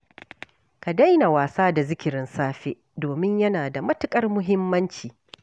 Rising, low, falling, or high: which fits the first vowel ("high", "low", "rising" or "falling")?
low